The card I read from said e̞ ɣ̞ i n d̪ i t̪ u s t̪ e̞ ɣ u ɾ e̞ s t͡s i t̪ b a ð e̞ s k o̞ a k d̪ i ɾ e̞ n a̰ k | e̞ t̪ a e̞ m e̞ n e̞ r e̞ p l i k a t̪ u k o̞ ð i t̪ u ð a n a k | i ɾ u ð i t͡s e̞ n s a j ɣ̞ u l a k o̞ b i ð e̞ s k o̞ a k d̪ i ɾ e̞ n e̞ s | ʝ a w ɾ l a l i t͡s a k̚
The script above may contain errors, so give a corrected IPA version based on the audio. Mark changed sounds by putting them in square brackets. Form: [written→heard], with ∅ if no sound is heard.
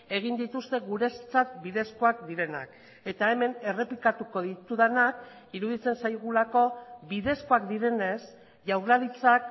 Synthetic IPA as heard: e̞ ɣ̞ i n d̪ i t̪ u s t̪ e̞ ɣ u ɾ e̞ s t͡s [i→a] t̪ b [a→i] ð e̞ s k o̞ a k d̪ i ɾ e̞ n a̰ k | e̞ t̪ a e̞ m e̞ n e̞ r e̞ p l i k a t̪ u k o̞ ð i t̪ u ð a n a k | i ɾ u ð i t͡s e̞ n s a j ɣ̞ u l a k o̞ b i ð e̞ s k o̞ a k d̪ i ɾ e̞ n e̞ s | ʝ a w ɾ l a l i t͡s a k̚

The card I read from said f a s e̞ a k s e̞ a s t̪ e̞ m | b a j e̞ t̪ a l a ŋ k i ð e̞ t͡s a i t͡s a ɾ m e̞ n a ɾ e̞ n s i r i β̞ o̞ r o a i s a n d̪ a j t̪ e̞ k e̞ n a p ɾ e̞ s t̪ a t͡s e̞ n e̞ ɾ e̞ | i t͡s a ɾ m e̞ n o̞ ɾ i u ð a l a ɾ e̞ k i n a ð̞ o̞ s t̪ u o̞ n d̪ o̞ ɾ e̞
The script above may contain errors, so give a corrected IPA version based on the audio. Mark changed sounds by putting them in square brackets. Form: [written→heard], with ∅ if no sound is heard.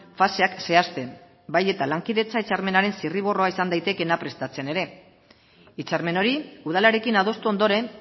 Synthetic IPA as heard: f a s e̞ a k s e̞ a s t̪ e̞ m | b a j e̞ t̪ a l a ŋ k i ð e̞ t͡s a i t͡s a ɾ m e̞ n a ɾ e̞ n s i r i β̞ o̞ r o a i s a n d̪ a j t̪ e̞ k e̞ n a p ɾ e̞ s t̪ a t͡s e̞ n e̞ ɾ e̞ | i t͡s a ɾ m e̞ n o̞ ɾ i u ð a l a ɾ e̞ k i n a ð̞ o̞ s t̪ u o̞ n d̪ o̞ ɾ e̞

